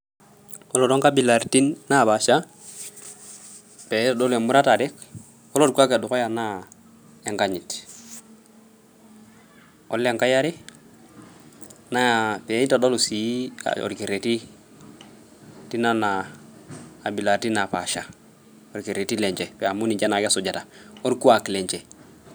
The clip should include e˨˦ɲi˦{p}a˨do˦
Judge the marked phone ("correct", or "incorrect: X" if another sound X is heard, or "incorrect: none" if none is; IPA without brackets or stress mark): incorrect: t